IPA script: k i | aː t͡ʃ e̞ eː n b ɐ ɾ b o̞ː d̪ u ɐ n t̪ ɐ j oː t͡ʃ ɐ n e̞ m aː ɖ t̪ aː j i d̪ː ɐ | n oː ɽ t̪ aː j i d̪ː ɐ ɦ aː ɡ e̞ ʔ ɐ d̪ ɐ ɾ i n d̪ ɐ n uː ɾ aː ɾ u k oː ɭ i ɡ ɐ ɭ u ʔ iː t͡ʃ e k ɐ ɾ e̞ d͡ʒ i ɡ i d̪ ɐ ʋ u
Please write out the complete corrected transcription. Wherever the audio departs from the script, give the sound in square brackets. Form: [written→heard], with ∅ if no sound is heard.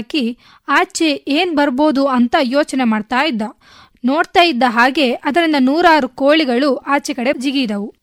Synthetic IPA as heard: k i | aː t͡ʃ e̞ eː n b ɐ ɾ b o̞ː d̪ u ɐ n t̪ ɐ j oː t͡ʃ ɐ n e̞ m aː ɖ t̪ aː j i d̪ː ɐ | n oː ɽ t̪ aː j i d̪ː ɐ ɦ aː ɡ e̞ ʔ ɐ d̪ ɐ ɾ i n d̪ ɐ n uː ɾ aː ɾ u k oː ɭ i ɡ ɐ ɭ u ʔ [iː→aː] t͡ʃ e k ɐ [ɾ→ɽ] e̞ d͡ʒ i ɡ i d̪ ɐ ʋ u